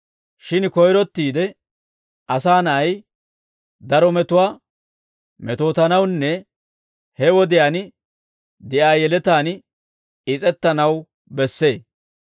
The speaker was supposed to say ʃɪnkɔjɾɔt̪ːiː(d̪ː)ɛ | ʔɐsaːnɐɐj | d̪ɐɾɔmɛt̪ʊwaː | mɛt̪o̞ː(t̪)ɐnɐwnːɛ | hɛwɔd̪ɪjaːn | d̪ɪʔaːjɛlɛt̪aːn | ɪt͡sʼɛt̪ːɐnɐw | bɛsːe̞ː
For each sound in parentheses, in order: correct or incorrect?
incorrect: d̪, correct

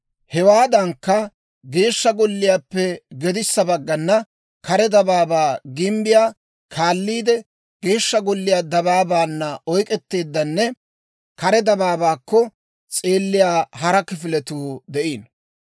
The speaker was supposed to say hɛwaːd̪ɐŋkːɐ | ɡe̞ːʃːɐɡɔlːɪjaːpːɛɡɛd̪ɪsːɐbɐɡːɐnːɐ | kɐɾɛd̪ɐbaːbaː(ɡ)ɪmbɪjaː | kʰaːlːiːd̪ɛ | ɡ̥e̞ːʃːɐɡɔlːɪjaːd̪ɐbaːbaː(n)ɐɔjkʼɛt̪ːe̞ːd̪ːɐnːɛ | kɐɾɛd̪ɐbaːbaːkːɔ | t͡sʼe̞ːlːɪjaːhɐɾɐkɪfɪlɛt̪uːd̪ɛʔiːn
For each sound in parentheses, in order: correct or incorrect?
correct, incorrect: nː

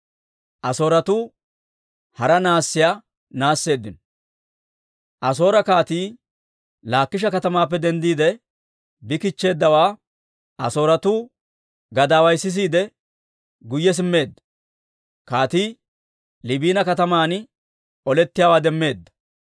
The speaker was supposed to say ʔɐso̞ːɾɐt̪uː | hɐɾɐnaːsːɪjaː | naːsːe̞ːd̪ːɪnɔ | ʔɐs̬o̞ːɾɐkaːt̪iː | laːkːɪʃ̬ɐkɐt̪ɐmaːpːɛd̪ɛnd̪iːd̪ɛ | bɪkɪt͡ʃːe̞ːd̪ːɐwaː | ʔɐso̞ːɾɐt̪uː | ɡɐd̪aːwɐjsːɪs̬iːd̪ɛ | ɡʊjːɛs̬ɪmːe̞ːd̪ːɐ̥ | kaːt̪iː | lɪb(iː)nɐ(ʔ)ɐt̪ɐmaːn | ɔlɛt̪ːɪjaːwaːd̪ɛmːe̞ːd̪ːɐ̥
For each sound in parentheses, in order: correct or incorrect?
correct, incorrect: k

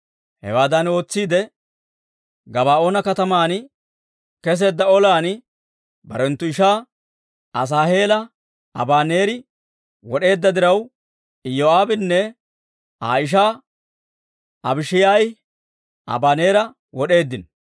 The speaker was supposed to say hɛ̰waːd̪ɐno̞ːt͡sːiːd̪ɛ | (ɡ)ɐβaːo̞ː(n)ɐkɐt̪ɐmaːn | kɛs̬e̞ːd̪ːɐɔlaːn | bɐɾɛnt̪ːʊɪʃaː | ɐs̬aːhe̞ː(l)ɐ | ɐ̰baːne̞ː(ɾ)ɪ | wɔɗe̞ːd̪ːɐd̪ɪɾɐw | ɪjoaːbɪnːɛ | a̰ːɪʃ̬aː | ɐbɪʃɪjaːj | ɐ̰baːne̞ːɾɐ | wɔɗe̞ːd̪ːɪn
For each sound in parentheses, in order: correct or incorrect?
correct, correct, correct, correct

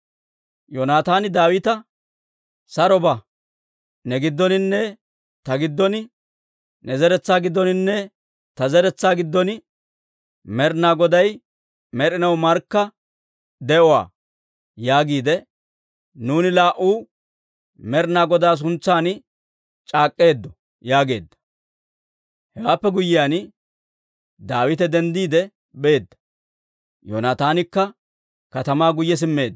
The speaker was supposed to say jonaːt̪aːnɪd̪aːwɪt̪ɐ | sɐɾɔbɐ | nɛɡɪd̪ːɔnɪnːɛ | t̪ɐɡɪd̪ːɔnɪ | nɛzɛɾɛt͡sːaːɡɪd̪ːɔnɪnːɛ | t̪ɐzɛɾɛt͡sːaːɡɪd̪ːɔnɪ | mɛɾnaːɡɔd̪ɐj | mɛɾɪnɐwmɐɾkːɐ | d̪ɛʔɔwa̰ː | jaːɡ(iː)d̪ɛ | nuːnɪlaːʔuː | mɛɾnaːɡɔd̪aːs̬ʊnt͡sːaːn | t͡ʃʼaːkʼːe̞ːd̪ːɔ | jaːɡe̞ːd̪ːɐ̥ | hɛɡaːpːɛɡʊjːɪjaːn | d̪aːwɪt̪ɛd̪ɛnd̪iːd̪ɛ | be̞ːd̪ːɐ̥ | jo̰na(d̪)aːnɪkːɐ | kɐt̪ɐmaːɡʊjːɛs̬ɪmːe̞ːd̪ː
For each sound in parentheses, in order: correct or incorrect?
correct, incorrect: t̪

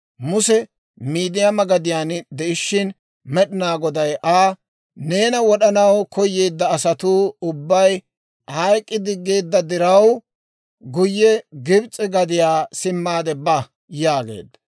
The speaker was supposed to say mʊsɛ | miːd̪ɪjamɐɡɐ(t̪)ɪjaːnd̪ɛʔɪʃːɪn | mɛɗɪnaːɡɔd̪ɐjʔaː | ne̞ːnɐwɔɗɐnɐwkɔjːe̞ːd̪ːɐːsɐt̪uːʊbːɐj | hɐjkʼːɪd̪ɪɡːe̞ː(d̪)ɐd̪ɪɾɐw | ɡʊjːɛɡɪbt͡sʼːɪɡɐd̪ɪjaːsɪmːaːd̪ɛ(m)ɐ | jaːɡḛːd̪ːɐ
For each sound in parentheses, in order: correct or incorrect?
incorrect: d̪, incorrect: d̪ː, incorrect: b

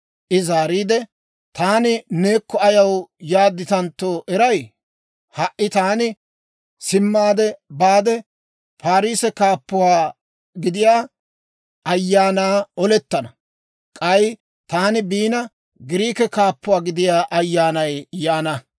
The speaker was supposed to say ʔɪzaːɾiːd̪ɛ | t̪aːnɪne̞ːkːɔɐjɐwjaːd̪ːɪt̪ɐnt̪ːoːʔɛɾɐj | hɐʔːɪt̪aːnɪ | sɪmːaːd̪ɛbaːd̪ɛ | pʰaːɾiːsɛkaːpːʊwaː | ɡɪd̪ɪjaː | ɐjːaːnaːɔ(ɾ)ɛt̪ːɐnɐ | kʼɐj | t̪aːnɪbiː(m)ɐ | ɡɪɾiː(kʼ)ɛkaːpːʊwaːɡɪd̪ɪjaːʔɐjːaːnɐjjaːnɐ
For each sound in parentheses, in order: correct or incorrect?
incorrect: l, incorrect: n, incorrect: k

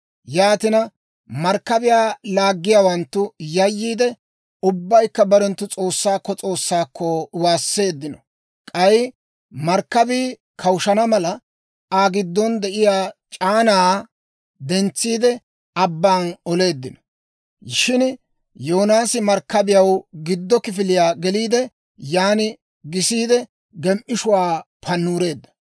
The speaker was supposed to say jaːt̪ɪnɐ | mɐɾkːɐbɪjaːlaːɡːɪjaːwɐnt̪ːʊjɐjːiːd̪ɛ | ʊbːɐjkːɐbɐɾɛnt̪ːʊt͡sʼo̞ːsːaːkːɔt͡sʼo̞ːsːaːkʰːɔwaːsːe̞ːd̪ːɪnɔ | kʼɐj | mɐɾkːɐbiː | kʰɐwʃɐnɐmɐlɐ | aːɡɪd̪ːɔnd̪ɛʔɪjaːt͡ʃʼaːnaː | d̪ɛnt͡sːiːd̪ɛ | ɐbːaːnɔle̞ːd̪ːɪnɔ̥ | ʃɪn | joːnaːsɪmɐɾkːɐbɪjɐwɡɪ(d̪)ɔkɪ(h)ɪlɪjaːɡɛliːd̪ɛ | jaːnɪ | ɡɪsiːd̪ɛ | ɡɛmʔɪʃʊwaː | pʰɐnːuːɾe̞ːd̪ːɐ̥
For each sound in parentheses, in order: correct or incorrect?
incorrect: d̪ː, incorrect: f

